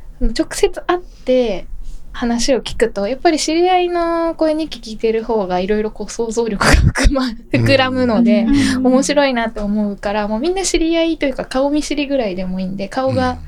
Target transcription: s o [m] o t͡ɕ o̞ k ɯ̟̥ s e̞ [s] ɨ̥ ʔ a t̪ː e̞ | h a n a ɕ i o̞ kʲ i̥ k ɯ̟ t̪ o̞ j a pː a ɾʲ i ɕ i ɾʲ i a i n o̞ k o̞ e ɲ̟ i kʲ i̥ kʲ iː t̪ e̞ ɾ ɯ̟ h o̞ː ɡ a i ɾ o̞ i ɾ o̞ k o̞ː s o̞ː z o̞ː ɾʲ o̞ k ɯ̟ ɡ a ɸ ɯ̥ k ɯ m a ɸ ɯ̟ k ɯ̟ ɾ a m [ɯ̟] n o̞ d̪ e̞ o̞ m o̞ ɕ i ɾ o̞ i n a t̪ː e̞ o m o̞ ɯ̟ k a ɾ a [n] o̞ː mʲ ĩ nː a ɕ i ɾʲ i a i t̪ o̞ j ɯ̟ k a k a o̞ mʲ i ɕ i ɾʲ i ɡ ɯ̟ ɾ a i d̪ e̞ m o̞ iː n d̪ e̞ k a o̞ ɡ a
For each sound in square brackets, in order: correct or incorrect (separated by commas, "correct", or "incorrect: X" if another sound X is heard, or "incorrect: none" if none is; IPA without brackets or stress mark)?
incorrect: n, incorrect: t͡s, correct, incorrect: m